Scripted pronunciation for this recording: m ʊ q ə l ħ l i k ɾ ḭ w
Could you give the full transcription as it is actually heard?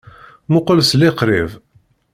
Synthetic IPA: m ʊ q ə l s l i q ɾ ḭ v